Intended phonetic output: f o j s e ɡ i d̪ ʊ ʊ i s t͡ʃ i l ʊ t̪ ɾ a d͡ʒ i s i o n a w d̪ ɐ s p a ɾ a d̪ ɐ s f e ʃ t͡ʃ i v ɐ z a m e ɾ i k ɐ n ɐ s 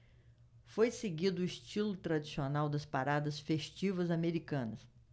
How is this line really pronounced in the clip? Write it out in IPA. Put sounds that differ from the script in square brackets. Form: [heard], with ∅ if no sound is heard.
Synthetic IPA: f o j s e ɡ i d̪ ʊ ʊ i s t͡ʃ i l ʊ t̪ ɾ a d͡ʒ i s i o n a w d̪ ɐ s p a ɾ a d̪ ɐ s f e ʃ t͡ʃ i v ɐ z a m e ɾ i k [ɐ̃] n ɐ s